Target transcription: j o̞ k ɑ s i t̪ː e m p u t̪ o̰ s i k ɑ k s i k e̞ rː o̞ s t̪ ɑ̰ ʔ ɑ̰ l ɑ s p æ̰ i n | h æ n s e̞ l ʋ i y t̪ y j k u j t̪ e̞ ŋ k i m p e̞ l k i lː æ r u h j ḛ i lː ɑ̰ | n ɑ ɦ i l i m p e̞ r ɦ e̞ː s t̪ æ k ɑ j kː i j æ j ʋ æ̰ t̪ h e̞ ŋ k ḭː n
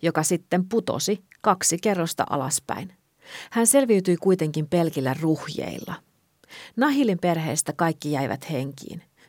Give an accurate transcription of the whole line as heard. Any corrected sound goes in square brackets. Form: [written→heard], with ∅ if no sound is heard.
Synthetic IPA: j o̞ k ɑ s i t̪ː e m p u t̪ o̰ s i k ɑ k s i k e̞ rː o̞ s t̪ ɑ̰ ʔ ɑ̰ l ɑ s p æ̰ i n | h æ n s e̞ l ʋ i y t̪ y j k u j t̪ e̞ ŋ k i m p e̞ l k i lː æ r u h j ḛ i lː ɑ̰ | n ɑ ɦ i l i m p e̞ r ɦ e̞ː s t̪ æ k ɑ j kː i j æ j ʋ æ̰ t̪ h e̞ ŋ k ḭː n